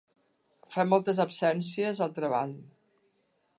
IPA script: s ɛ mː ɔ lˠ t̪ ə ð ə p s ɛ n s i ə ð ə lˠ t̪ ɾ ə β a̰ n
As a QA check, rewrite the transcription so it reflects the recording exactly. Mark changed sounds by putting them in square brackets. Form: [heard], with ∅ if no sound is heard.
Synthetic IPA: [f] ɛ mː ɔ lˠ t̪ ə [z] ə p s ɛ n s i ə [z] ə lˠ t̪ ɾ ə β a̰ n